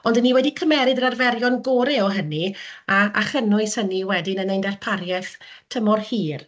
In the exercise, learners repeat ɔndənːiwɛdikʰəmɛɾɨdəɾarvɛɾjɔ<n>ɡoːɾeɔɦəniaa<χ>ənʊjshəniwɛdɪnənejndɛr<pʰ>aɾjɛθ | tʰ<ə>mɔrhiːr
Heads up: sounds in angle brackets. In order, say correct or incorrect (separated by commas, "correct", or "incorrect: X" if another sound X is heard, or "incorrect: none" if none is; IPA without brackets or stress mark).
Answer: correct, correct, correct, correct